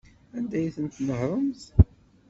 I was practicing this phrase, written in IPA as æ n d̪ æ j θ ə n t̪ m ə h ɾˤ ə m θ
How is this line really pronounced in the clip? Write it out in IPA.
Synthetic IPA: æ n d̪ æ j θ ə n t̪ n ə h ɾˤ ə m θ